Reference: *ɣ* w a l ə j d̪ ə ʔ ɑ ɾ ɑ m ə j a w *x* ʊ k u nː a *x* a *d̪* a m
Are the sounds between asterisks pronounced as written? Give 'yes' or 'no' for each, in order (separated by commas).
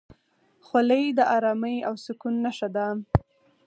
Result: no, no, no, yes